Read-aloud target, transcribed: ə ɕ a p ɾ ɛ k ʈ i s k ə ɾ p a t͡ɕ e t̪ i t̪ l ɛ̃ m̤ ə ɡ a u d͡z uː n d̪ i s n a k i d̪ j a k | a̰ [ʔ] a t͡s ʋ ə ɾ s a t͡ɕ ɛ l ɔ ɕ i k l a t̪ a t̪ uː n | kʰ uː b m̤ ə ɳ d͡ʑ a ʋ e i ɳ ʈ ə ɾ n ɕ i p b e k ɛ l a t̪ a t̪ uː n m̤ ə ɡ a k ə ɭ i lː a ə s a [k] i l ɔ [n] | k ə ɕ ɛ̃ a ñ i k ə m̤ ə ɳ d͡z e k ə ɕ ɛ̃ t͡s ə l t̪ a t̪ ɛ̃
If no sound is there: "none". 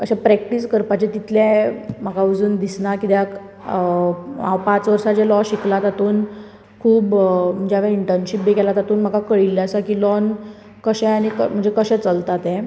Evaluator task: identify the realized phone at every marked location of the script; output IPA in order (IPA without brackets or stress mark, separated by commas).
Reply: p, k, n